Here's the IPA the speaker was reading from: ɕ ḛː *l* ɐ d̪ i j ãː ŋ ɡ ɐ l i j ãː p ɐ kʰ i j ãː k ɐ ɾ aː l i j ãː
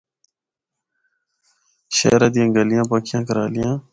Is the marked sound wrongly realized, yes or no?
yes